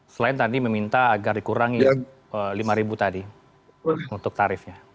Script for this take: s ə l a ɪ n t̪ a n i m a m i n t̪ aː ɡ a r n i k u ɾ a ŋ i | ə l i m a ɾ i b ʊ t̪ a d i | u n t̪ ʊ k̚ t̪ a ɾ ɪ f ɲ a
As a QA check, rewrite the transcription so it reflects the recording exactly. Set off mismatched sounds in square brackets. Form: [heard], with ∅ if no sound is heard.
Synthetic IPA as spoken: s ə l a ɪ n t̪ a [d] i m [ə] m i n t̪ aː ɡ a r [d] i k u ɾ a ŋ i | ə l i m a ɾ i b [u] t̪ a d i | u n t̪ ʊ k̚ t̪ a ɾ ɪ f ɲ a